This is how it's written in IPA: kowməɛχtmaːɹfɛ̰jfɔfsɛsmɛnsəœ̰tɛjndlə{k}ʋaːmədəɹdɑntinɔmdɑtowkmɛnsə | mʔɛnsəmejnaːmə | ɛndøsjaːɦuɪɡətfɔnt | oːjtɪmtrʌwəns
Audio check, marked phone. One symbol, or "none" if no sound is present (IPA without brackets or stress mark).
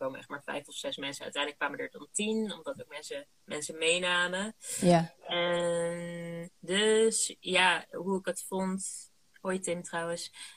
k